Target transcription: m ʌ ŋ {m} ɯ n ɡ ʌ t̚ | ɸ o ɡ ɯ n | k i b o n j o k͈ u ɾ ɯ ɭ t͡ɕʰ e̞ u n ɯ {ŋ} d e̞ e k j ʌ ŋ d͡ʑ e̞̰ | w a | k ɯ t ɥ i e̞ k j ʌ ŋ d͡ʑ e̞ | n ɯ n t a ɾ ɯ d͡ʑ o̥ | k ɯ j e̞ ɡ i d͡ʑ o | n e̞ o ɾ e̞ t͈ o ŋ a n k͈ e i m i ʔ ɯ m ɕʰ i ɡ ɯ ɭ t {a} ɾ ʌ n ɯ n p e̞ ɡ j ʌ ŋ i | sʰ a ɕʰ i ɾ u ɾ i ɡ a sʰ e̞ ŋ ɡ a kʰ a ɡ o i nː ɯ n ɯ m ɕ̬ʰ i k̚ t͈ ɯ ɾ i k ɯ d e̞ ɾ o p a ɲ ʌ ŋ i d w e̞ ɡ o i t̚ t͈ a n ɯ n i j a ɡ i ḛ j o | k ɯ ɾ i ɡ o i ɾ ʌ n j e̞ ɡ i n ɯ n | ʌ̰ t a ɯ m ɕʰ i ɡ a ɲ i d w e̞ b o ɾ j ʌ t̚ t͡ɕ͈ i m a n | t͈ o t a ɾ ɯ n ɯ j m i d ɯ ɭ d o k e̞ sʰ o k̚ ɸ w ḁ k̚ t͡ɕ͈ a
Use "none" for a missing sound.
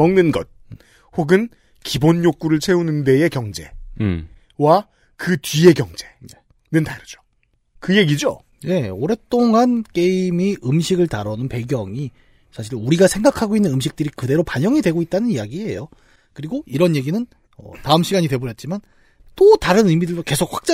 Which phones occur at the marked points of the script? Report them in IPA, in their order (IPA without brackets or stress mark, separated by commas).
n, n, a